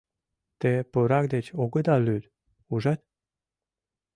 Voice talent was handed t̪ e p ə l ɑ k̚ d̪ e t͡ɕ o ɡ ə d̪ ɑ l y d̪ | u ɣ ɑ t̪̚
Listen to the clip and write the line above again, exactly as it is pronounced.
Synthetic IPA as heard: t̪ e p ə ɾ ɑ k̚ d̪ e t͡ɕ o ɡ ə d̪ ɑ l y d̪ | u ʒ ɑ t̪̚